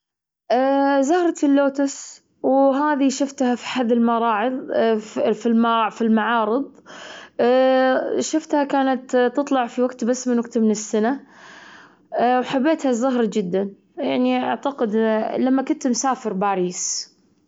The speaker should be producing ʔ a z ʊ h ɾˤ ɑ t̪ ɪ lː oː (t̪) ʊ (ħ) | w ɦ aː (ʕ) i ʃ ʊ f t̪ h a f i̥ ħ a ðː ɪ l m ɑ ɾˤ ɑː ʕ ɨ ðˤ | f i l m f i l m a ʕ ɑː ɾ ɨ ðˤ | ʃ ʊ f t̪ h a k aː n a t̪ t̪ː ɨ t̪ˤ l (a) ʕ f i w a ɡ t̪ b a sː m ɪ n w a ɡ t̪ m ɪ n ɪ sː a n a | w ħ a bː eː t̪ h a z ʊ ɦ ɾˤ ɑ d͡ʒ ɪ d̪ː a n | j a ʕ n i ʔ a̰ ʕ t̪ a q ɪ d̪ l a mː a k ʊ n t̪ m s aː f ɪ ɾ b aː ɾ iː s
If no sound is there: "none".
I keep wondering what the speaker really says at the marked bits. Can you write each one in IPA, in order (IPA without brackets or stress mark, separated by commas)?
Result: t̪, s, ð, ɑ